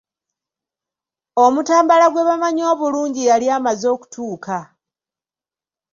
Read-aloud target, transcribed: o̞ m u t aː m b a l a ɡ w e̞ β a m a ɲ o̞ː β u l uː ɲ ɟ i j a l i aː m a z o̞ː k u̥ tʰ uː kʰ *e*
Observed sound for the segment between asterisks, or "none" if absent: a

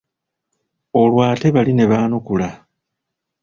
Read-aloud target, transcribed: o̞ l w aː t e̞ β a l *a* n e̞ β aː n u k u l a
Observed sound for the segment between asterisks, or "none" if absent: i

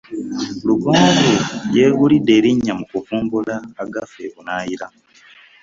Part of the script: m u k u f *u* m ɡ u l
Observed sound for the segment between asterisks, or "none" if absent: uː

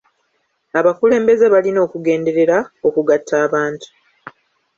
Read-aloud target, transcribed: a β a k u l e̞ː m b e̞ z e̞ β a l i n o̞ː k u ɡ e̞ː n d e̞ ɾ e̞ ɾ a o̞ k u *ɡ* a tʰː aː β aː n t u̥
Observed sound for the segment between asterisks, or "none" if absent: ɡ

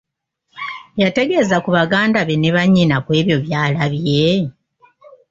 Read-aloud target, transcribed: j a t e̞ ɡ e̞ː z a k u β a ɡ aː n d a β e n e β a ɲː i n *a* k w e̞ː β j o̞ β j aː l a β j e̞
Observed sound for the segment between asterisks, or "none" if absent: a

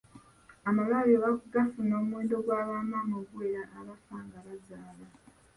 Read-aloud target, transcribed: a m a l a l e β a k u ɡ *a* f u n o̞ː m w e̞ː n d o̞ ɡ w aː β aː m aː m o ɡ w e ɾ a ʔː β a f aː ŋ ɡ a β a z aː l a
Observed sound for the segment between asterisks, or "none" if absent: a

